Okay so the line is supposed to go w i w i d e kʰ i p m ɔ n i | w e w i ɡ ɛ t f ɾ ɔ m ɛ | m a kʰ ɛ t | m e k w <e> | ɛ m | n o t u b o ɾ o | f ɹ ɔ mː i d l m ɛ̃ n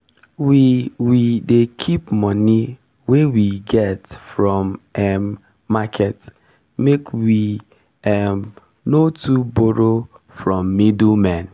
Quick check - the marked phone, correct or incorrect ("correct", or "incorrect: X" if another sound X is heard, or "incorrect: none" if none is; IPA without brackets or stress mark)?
incorrect: i